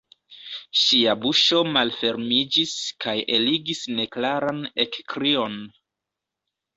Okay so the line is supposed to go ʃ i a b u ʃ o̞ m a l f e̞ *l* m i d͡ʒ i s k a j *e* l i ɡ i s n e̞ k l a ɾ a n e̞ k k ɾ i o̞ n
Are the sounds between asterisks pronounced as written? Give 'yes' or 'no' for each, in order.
no, yes

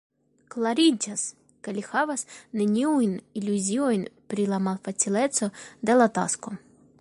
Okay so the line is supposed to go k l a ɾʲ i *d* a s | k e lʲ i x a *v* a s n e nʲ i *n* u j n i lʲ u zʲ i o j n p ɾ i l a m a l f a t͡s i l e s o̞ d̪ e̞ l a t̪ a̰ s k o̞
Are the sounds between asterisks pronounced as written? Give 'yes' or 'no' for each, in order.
no, yes, no

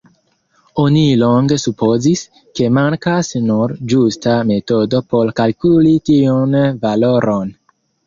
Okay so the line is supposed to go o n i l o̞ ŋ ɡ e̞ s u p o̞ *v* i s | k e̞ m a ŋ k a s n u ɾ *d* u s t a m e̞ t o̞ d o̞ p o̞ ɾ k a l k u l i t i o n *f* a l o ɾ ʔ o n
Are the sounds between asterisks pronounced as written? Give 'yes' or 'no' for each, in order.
no, no, no

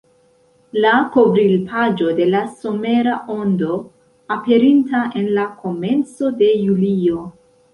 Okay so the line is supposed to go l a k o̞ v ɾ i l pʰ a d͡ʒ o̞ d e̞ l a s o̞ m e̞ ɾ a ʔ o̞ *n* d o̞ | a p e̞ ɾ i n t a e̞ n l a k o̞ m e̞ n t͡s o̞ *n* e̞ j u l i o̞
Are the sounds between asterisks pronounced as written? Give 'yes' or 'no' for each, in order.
yes, no

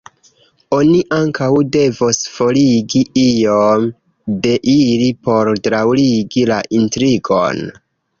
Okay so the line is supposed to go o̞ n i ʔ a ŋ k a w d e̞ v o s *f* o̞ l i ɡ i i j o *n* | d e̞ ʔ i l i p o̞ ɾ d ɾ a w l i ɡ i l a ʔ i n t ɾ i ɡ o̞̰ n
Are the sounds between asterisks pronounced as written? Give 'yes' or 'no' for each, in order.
yes, no

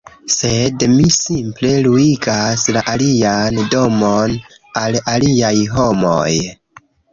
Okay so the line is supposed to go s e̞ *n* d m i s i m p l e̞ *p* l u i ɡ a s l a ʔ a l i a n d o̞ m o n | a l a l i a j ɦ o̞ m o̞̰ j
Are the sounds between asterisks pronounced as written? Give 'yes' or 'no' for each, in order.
no, no

